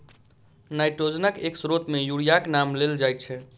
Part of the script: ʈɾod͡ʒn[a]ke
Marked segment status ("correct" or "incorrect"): incorrect